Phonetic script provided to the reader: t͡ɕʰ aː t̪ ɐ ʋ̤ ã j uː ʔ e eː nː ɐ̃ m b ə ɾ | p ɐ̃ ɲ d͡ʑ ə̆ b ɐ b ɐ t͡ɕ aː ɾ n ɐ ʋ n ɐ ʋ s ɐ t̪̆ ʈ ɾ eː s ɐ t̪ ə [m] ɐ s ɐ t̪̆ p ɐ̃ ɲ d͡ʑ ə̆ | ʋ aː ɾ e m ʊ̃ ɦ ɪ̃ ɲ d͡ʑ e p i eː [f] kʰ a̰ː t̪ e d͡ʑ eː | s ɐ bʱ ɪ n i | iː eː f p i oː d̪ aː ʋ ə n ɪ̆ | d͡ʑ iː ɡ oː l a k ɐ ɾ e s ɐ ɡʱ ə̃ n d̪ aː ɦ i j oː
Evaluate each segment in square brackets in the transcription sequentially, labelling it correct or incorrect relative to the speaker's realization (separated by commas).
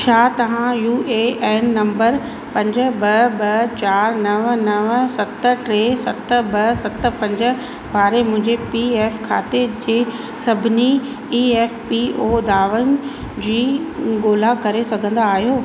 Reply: incorrect, correct